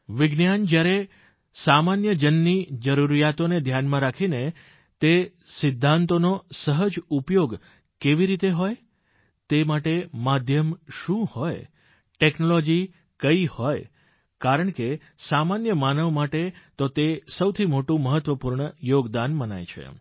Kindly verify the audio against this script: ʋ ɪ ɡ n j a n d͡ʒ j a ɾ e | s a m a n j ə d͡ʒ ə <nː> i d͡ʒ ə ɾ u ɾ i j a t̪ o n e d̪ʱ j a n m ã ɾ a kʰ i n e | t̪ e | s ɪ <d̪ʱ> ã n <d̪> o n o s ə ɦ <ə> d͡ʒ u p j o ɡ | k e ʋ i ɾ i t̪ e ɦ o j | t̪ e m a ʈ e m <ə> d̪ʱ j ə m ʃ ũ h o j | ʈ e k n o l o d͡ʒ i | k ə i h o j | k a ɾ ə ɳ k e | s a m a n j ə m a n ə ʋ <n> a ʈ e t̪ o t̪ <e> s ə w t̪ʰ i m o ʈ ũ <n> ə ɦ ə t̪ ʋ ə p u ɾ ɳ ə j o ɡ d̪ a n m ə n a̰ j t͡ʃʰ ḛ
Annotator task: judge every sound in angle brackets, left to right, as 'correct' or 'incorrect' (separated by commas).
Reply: correct, incorrect, incorrect, correct, incorrect, incorrect, correct, incorrect